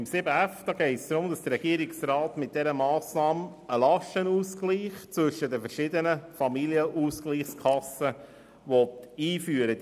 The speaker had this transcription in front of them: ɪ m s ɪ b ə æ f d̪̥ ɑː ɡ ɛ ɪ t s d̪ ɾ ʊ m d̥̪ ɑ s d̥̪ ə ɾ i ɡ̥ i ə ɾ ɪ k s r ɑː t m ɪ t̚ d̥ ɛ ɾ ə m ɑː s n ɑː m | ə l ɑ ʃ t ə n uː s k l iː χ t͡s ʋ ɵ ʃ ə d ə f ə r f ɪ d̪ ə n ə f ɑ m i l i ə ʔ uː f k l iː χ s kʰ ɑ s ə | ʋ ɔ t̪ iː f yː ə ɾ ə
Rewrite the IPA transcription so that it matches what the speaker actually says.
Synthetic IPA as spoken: ɪ m s ɪ b ə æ f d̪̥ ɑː ɡ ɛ ɪ t s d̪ ɾ ʊ m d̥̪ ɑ s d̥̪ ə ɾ ɛ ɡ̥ i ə ɾ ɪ k s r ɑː t m ɪ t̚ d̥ ɛ ɾ ə m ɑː s n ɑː m | ə l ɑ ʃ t ə n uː s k l iː χ t͡s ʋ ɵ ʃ ə d ə f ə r ʃ ɪ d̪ ə n ə f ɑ m i l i ə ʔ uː s k l iː χ s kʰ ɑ s ə | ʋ ɔ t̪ iː f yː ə ɾ ə